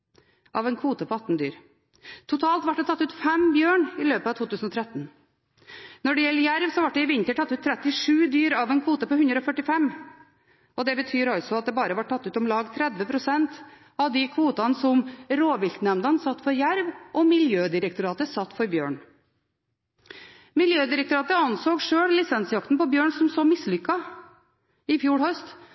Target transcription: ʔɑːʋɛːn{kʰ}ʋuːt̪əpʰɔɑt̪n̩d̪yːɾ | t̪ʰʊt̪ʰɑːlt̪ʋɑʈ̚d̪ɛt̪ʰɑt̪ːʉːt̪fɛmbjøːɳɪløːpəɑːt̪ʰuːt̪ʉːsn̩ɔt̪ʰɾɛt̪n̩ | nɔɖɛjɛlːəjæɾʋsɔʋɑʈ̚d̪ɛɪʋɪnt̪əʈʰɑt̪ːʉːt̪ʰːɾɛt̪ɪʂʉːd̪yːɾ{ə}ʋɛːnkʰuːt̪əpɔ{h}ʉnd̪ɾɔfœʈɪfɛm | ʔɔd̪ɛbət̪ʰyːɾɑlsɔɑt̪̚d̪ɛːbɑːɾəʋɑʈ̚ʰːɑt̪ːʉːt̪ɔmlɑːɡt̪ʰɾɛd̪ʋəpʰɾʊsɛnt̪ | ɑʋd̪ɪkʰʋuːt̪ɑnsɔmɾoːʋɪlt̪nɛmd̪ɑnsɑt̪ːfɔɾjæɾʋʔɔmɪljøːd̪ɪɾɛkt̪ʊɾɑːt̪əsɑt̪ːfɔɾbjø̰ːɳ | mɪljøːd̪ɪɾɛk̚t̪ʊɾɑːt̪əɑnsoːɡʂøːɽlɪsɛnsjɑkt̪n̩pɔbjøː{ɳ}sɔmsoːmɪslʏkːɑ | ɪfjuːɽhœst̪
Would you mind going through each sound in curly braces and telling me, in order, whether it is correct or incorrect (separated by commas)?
correct, incorrect, correct, correct